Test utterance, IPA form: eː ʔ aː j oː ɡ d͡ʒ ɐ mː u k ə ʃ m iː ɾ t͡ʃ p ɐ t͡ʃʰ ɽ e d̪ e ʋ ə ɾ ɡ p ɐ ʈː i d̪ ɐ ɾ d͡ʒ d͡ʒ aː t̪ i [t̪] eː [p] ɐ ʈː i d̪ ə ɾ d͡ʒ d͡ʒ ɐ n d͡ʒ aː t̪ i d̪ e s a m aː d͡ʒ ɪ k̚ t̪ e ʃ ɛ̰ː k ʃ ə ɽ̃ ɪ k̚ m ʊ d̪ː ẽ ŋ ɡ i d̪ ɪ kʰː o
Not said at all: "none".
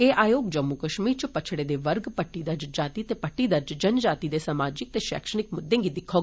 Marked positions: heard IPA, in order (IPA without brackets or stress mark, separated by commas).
t̪, p